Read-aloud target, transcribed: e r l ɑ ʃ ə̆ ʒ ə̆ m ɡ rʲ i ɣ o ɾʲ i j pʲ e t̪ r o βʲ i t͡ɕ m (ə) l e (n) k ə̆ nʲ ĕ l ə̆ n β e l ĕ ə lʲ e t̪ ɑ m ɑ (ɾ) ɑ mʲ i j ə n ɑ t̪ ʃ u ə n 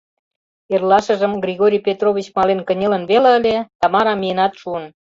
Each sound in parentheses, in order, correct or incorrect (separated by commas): incorrect, correct, correct